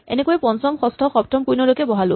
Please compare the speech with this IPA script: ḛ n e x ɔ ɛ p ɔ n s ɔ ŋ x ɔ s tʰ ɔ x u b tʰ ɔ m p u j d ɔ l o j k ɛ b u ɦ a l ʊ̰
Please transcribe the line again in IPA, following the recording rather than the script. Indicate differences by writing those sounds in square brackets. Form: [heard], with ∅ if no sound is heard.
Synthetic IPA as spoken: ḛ n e [k] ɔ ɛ p ɔ n s ɔ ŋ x ɔ s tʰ ɔ x [ɔ] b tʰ ɔ m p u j [n] ɔ l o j k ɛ b [ɔ] ɦ a l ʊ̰